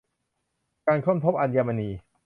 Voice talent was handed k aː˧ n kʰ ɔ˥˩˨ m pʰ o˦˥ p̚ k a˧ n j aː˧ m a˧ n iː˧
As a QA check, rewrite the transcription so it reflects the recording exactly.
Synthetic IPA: k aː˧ n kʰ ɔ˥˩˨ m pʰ o˦˥ p̚ ʔ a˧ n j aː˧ m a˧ n iː˧